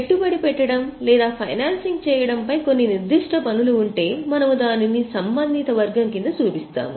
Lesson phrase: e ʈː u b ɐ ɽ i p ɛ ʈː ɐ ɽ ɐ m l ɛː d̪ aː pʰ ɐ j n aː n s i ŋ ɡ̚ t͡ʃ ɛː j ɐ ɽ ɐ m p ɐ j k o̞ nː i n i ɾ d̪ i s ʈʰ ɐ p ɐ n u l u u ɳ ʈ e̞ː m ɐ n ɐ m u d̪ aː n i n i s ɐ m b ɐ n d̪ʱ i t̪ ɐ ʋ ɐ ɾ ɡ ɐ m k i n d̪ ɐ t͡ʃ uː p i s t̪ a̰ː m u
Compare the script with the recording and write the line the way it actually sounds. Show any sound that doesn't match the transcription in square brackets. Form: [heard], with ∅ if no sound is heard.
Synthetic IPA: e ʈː u b ɐ ɽ i p ɛ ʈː ɐ ɽ ɐ m l ɛː d̪ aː pʰ ɐ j n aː n s i ŋ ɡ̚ t͡ʃ ɛː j ɐ ɽ ɐ m p ɐ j k o̞ nː i n i ɾ d̪ i [ʂ] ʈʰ ɐ p ɐ n u l u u ɳ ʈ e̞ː m ɐ n ɐ m u d̪ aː n i n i s ɐ m b ɐ n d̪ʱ i t̪ ɐ ʋ ɐ ɾ ɡ ɐ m k i n d̪ ɐ t͡ʃ uː p i s t̪ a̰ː m u